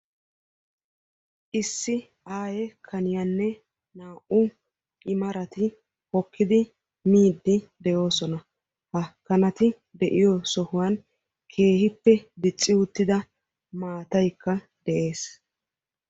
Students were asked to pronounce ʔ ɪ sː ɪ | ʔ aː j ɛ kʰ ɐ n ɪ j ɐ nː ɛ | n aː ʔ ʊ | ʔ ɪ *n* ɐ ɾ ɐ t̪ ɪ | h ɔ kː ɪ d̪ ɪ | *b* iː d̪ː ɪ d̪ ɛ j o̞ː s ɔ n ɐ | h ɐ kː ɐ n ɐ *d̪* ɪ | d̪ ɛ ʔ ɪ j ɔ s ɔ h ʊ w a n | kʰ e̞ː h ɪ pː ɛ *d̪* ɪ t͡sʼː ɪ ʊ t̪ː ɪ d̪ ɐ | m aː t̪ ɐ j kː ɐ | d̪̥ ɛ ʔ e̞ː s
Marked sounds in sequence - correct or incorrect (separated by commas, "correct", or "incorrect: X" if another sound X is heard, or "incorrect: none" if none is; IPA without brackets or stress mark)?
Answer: incorrect: m, incorrect: m, incorrect: t̪, correct